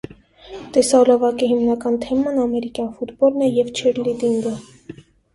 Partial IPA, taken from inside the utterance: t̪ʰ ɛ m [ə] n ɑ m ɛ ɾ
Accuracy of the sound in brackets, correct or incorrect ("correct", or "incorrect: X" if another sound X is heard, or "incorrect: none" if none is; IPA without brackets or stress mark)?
incorrect: ɑ